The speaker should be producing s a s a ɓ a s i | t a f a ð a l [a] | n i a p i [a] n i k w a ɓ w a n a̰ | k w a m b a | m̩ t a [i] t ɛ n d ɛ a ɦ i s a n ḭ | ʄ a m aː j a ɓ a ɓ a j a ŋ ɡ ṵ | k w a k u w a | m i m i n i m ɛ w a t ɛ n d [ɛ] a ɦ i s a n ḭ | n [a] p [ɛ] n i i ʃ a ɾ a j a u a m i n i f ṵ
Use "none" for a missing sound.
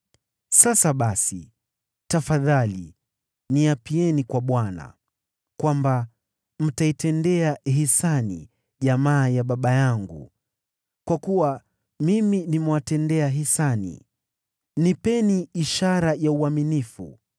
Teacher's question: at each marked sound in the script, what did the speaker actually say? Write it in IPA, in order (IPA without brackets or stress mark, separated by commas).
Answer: i, ɛ, i, ɛ, i, ɛ